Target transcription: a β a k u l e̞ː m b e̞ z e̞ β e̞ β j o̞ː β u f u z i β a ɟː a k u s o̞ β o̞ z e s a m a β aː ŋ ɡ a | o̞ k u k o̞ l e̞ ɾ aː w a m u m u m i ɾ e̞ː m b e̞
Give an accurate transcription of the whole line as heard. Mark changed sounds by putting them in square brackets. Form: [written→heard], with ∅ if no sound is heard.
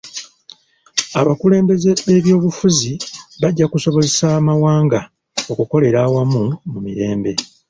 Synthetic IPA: a β a k u l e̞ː m b e̞ z e̞ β e̞ β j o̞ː β u f u z i β a ɟː a k u s o̞ β o̞ z e s a m a [β→w] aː ŋ ɡ a | o̞ k u k o̞ l e̞ ɾ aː w a m u m u m i ɾ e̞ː m b e̞